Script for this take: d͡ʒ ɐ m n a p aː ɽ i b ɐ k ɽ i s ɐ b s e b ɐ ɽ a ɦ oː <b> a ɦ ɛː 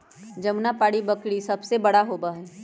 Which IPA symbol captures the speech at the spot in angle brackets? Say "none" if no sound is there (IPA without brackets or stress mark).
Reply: b